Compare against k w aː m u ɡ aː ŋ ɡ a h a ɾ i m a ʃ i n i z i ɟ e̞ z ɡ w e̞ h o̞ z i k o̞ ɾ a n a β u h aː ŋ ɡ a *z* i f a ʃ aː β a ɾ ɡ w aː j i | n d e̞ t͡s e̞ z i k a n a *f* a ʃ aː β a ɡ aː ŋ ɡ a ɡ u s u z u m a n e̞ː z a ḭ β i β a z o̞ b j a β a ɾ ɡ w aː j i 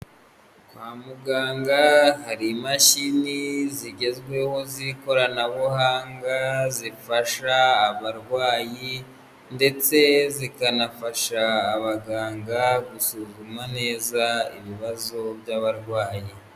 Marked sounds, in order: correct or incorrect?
correct, correct

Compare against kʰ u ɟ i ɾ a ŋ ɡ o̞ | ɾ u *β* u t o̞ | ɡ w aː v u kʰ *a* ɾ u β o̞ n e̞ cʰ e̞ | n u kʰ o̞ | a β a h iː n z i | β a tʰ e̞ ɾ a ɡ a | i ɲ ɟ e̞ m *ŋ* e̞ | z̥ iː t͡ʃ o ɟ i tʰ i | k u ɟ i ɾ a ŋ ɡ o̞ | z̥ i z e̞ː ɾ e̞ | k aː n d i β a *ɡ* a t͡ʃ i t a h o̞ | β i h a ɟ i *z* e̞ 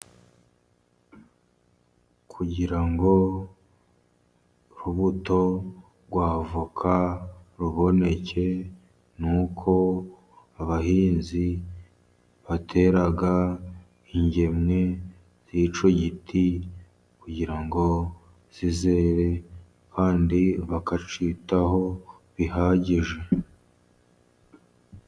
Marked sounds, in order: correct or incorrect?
correct, correct, correct, incorrect, incorrect

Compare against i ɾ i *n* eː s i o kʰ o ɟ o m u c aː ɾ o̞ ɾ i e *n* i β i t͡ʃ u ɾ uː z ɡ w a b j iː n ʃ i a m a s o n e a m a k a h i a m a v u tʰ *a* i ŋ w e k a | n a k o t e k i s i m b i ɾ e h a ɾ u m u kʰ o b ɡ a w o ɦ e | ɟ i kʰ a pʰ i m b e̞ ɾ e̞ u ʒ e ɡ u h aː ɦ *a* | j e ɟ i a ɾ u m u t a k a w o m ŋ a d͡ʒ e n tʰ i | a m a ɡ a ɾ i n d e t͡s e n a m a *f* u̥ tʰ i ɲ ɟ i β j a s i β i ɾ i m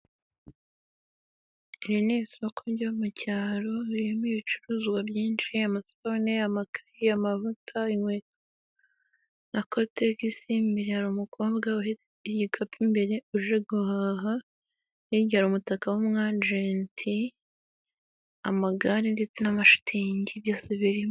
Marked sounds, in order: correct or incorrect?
correct, incorrect, correct, correct, incorrect

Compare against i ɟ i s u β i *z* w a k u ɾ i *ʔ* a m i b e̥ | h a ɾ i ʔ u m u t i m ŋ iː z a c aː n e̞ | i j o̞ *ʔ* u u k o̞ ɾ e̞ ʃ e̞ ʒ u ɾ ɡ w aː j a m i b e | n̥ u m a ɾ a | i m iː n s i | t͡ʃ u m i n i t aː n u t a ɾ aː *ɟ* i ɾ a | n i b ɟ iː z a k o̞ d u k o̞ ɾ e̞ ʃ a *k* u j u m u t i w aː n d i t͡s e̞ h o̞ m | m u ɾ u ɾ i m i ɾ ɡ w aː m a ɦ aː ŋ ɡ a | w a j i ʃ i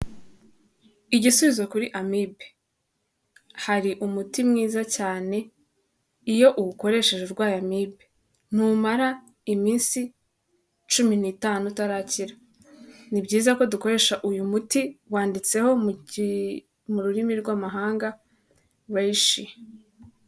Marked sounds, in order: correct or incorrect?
correct, correct, correct, incorrect, incorrect

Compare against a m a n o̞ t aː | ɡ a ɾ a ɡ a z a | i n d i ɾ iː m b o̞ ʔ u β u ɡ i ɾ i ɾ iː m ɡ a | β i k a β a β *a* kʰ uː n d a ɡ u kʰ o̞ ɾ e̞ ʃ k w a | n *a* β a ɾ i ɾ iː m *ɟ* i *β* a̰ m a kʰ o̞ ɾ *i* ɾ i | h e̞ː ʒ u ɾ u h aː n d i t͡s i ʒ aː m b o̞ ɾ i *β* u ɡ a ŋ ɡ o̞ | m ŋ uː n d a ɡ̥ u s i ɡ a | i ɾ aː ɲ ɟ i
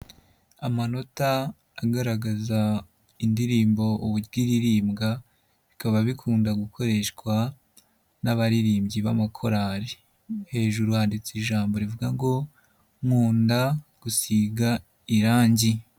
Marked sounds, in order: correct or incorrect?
incorrect, correct, correct, correct, incorrect, incorrect

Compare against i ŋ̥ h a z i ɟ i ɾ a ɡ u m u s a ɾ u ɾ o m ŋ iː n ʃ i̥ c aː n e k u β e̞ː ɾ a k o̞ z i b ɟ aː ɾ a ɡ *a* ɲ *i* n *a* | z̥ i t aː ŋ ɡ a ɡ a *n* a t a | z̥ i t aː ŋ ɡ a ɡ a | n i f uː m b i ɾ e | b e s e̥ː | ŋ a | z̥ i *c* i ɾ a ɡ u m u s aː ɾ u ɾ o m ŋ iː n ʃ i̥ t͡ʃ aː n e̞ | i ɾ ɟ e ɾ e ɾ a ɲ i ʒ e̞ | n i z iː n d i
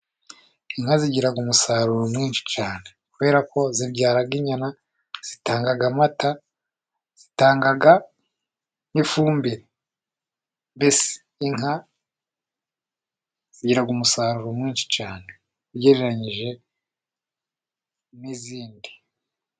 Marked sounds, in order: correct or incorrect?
incorrect, incorrect, correct, incorrect, incorrect

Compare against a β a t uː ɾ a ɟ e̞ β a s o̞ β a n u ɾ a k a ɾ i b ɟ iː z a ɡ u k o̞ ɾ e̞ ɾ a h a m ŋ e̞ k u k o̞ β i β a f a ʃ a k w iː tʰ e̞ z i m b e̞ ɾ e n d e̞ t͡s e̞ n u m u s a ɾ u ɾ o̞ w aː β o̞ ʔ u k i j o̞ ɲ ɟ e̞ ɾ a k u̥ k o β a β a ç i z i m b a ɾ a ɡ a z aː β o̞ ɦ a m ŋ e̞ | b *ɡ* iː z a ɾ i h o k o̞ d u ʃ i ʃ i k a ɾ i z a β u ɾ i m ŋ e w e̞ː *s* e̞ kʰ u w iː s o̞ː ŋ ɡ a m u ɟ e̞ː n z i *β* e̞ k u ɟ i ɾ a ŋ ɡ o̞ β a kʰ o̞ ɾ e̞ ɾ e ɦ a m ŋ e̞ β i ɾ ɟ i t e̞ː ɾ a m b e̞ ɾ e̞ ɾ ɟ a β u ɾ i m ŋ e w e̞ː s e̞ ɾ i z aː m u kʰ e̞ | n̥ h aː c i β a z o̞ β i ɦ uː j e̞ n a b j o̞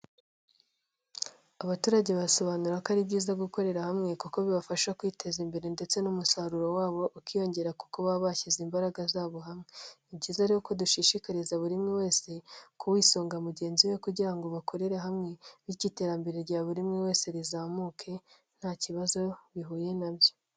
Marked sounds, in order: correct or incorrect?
incorrect, correct, incorrect

